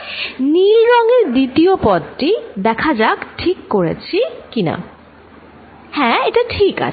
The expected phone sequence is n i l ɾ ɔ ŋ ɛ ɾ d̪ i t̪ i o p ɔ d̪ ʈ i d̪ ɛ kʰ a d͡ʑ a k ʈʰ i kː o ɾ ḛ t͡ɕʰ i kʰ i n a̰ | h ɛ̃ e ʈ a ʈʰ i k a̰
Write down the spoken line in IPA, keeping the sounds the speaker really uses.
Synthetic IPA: n i l ɾ ɔ ŋ e ɾ d̪ i t̪ i o p ɔ d̪ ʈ i d̪ ɛ kʰ a d͡ʑ a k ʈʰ i kː o ɾ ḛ t͡ɕʰ i k i n a̰ | h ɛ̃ e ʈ a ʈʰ i k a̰